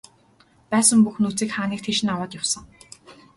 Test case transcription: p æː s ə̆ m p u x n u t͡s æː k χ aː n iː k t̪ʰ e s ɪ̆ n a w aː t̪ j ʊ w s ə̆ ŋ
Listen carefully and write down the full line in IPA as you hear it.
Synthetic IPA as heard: p æː s ə̆ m p u x n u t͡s iː k χ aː n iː k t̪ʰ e ʃ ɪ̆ n a w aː t̪ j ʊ w s ə̆ ŋ

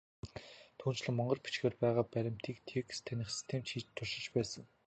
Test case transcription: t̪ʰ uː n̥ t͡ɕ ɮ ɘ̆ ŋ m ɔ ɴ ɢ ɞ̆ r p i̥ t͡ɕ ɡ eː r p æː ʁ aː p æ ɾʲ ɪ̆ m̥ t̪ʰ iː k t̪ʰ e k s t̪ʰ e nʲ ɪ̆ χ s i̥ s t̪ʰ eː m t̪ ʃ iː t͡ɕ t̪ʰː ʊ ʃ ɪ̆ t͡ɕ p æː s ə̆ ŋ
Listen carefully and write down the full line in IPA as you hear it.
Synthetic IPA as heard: t̪ʰ uː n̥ t͡ɕ ɮ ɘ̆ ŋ m ɔ ɴ ɢ ɞ̆ r p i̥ t͡ɕ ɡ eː r p æː ʁ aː p æ ɾʲ ɪ̆ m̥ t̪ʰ iː k t̪ʰ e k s t̪ʰ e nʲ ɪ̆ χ s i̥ s t̪ʰ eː m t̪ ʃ iː t͡ɕ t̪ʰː ʊ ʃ ɪ̆ t͡ɕ p æː s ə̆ ŋ

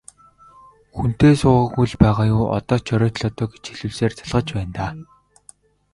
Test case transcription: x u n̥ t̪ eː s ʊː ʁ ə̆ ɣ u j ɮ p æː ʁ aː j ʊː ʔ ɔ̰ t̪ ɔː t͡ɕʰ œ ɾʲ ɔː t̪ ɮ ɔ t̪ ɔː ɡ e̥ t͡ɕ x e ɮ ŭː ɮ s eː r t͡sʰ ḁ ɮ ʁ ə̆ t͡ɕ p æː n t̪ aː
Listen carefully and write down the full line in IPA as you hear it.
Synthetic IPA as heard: x u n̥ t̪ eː s ʊː ʁ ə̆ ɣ u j ɮ p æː ʁ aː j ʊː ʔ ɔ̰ t̪ ɔː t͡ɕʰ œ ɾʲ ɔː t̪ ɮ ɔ t̪ ɔː ɡ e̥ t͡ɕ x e ɮ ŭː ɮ s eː r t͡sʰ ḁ ɮ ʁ ə̆ t͡ɕ p æː n t̪ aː

